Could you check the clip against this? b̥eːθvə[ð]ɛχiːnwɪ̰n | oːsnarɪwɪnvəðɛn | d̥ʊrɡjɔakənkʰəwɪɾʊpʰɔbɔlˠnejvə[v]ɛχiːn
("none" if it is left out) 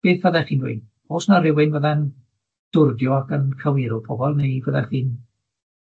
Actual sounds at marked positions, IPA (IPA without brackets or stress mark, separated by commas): ð, ð